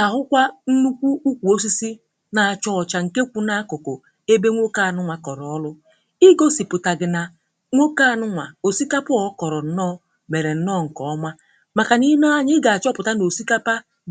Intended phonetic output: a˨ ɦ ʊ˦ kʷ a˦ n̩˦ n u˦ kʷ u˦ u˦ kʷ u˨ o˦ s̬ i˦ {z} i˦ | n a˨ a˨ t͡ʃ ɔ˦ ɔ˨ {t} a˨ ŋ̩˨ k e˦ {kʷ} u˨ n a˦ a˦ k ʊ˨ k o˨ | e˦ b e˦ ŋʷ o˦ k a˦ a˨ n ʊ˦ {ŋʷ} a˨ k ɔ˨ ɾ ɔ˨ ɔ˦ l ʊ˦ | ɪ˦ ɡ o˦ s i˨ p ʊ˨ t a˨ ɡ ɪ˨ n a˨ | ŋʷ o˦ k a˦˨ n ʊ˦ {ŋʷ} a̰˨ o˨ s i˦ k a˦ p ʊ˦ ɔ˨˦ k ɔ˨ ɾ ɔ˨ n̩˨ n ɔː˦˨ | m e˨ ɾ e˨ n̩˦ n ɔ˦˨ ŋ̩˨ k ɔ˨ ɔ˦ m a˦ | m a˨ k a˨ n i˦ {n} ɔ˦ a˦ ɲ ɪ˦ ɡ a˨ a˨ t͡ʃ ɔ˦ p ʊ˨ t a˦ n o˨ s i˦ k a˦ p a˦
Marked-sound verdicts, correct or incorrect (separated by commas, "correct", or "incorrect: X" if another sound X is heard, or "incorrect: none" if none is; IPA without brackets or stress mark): incorrect: s, incorrect: t͡ʃ, correct, correct, correct, correct